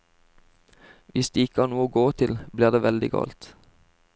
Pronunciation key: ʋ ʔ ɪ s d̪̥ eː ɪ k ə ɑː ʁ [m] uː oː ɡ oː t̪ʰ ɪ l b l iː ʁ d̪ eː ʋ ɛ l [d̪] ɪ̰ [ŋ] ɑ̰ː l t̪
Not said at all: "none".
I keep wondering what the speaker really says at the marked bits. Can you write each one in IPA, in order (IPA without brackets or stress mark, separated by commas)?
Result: n, d̪, ɡ